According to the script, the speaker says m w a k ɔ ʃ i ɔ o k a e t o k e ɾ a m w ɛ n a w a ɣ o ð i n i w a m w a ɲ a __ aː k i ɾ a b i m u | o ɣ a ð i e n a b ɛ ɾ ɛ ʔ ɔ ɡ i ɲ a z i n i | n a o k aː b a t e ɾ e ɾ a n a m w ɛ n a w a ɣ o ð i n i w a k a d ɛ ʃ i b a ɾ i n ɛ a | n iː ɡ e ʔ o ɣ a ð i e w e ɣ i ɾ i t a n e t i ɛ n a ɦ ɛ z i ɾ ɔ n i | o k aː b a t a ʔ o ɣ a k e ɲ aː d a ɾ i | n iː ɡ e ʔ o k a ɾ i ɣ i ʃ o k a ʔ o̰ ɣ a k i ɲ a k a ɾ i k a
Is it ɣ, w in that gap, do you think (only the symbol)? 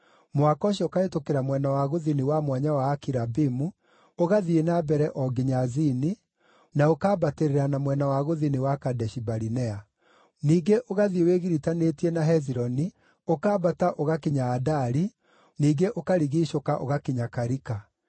w